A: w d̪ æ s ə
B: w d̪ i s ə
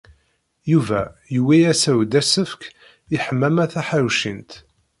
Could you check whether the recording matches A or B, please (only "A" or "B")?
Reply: A